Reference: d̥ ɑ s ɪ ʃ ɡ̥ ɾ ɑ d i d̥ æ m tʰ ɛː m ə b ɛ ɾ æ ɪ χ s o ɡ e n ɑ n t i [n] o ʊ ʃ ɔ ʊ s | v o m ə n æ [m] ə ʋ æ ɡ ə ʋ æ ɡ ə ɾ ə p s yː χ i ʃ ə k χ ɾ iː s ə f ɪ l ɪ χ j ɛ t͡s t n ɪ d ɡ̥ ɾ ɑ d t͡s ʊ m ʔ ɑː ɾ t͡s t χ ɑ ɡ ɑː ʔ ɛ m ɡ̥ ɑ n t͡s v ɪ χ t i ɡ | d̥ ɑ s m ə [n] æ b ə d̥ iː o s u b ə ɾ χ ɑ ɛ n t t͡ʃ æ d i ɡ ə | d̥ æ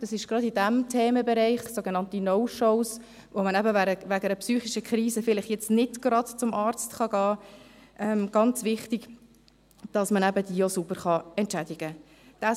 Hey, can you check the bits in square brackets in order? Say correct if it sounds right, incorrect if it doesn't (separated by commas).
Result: correct, incorrect, correct